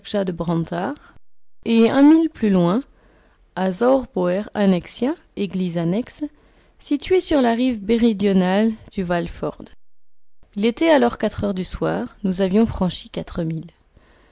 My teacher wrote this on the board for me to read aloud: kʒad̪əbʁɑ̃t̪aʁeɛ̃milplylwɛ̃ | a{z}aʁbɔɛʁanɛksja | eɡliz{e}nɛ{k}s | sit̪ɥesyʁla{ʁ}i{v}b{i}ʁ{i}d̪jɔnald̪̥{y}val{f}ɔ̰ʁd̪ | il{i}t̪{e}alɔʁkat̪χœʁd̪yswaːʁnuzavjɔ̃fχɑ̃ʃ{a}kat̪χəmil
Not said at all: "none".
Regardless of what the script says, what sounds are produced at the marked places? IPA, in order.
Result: z, a, k, ʁ, v, e, i, y, f, e, ɛ, i

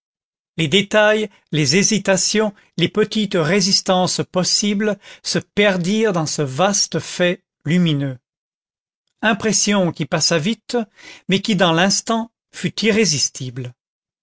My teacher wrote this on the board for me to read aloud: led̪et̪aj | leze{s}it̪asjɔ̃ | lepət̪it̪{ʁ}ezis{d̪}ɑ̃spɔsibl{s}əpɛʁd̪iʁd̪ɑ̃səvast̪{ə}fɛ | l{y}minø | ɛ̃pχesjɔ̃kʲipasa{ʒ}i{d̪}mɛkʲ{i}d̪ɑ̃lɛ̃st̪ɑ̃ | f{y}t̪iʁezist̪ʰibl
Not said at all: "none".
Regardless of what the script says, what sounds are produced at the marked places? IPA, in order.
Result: z, ʁ, t̪, s, ə, y, v, t̪, i, y

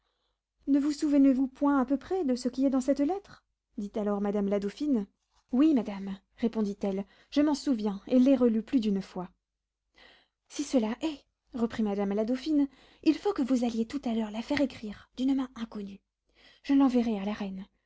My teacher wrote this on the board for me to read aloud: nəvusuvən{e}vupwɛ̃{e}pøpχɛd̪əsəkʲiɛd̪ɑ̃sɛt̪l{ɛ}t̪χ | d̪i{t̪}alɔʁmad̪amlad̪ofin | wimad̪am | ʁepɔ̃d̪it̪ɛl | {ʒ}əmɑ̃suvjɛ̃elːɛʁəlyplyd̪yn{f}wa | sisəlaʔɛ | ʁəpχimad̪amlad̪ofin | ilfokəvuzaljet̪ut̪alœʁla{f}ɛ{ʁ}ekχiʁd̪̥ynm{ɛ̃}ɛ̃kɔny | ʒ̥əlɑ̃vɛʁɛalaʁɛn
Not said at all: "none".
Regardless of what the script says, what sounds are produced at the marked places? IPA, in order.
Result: e, a, ɛ, t̪, ʒ, f, f, ʁ, ɛ̃

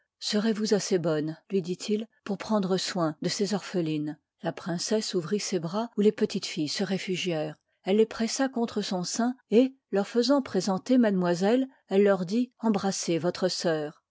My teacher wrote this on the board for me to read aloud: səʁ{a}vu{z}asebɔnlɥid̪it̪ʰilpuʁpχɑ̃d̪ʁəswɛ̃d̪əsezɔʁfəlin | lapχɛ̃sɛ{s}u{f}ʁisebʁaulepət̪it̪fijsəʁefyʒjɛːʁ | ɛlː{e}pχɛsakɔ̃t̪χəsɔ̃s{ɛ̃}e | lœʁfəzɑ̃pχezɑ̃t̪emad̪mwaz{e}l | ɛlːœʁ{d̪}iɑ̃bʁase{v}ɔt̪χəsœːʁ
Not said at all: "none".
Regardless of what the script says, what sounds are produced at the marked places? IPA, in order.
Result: e, z, s, v, e, ɛ̃, ɛ, d̪, v

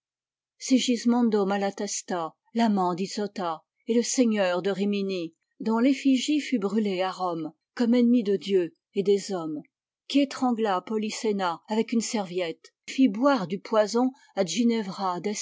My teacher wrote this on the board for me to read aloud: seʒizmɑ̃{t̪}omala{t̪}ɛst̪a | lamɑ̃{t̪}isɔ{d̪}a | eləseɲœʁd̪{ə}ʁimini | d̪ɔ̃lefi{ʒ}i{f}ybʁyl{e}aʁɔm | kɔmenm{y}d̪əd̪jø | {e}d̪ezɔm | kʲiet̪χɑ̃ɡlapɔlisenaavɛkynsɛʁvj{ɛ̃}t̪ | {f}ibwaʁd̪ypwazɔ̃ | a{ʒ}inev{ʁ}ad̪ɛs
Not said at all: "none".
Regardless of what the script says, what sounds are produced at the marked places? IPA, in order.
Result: d̪, t̪, d̪, t̪, ə, ʒ, f, e, i, e, ɛ, f, ʒ, ʁ

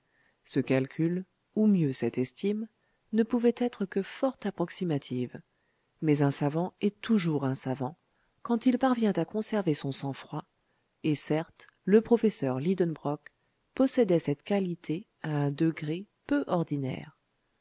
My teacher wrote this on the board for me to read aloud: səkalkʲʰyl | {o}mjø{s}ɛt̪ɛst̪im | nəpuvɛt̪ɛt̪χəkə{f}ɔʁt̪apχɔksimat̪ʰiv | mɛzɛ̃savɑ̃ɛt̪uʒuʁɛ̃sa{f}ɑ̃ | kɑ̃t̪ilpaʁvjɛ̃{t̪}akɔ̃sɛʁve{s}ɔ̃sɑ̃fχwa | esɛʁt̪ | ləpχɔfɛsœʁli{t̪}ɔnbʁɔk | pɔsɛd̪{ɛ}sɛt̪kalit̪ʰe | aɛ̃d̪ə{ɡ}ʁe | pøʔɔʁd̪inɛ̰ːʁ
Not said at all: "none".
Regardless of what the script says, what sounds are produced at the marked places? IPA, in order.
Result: u, s, f, v, t̪, s, d̪, ɛ, ɡ

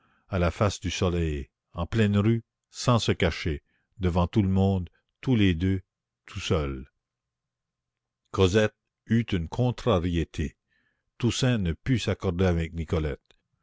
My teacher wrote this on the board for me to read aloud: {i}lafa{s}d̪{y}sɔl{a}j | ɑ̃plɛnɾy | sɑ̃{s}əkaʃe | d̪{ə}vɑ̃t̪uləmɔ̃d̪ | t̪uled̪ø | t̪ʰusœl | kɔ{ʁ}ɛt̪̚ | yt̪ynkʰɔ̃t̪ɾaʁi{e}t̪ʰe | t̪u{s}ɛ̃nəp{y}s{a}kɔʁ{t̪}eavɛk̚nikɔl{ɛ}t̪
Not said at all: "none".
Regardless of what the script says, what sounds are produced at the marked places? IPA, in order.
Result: a, s, y, ɛ, s, ə, z, e, s, y, a, d̪, ɛ

